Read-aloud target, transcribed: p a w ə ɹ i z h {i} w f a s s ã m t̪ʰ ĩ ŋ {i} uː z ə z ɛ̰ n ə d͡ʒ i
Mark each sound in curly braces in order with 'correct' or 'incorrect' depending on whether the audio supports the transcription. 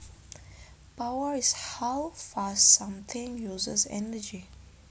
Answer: incorrect: a, incorrect: j

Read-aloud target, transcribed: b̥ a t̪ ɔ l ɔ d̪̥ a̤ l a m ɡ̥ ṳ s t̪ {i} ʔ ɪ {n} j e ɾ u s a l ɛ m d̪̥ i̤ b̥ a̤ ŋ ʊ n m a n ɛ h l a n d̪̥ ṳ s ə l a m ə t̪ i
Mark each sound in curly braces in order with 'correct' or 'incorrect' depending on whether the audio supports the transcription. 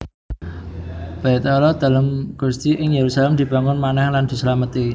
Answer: correct, incorrect: ŋ

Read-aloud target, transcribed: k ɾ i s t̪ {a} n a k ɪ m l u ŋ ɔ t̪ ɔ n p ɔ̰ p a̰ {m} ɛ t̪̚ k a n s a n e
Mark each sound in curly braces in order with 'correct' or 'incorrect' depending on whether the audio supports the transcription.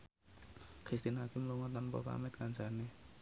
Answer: incorrect: i, correct

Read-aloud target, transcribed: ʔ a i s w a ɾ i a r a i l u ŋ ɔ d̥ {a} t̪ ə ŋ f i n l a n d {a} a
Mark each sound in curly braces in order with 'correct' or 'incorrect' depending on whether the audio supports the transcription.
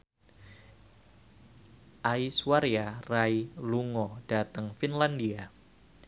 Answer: correct, incorrect: i

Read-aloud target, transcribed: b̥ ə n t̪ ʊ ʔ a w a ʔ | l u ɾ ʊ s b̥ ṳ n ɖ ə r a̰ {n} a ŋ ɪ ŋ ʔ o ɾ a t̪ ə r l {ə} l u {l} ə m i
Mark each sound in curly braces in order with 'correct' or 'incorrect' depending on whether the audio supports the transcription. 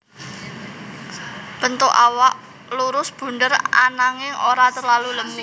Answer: correct, incorrect: a, correct

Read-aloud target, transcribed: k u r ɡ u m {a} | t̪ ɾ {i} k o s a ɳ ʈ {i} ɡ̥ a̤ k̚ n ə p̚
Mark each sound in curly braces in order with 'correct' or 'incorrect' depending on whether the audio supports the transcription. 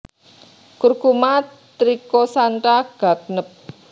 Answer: correct, correct, incorrect: a

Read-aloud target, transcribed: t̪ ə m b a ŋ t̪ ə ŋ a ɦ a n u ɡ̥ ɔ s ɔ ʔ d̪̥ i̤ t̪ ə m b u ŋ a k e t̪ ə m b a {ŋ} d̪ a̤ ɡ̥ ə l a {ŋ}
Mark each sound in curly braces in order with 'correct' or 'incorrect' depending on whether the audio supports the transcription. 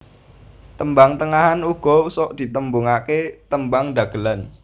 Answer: correct, incorrect: n

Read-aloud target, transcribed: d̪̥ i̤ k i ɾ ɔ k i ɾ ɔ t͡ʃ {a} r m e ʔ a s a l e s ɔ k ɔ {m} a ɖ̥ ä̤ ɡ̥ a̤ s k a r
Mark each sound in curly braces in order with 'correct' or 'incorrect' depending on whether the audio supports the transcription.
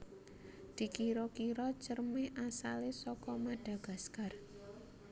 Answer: incorrect: ə, correct

